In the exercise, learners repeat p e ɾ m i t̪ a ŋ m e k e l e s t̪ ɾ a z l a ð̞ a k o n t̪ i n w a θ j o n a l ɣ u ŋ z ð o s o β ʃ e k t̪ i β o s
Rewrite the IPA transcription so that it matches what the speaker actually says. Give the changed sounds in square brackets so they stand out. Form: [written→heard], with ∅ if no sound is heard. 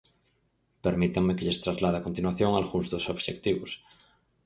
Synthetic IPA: p e ɾ m i t̪ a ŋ m e k e [l→ʎ] e s t̪ ɾ a z l a ð̞ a k o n t̪ i n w a θ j o [n→ŋ] a l ɣ u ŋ z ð o s o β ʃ e k t̪ i β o s